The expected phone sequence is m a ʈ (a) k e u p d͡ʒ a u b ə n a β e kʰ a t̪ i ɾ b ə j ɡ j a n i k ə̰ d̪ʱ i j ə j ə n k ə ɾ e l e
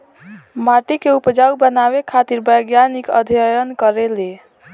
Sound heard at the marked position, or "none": i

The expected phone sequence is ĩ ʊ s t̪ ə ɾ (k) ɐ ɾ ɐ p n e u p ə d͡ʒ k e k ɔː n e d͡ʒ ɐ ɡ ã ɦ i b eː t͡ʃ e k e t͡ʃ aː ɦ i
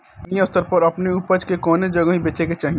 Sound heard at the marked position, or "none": p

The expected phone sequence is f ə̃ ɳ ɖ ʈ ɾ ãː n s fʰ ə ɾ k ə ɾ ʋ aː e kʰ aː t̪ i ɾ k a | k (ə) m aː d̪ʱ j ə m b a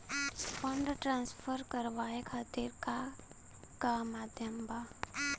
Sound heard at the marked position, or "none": a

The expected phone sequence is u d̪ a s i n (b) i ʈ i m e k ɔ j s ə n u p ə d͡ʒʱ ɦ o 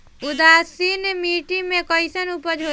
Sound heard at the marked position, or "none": m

